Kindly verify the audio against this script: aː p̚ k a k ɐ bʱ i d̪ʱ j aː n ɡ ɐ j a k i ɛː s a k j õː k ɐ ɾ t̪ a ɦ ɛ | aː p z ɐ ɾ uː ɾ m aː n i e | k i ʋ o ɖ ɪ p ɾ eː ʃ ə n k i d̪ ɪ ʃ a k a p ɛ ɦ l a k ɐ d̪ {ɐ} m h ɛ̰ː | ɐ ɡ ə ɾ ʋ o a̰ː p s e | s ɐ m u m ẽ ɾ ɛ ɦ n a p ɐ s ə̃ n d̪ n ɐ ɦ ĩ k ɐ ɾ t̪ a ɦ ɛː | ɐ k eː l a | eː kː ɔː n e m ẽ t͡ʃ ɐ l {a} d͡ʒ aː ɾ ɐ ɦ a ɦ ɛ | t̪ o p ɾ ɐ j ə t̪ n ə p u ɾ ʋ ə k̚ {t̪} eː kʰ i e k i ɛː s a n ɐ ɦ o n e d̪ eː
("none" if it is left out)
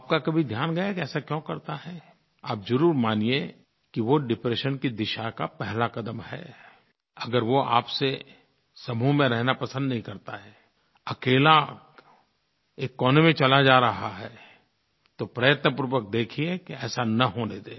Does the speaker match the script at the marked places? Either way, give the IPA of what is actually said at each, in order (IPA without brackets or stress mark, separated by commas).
ə, a, d̪